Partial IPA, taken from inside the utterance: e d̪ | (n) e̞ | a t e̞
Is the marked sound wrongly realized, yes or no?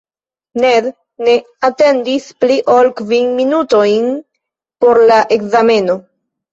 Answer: no